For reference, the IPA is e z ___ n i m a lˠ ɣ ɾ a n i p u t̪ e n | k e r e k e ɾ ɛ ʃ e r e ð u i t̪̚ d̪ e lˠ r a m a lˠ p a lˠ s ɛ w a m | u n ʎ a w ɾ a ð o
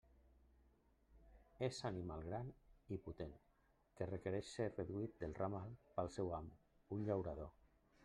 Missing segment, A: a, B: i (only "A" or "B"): A